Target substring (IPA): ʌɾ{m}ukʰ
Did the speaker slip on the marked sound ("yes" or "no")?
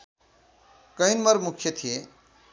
no